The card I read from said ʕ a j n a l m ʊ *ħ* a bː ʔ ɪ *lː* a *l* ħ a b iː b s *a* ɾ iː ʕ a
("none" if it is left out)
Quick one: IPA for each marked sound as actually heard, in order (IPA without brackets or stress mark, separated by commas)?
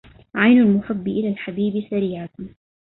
ħ, l, l, a